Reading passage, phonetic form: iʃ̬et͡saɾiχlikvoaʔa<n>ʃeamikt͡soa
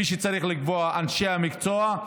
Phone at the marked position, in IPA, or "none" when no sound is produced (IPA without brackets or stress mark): n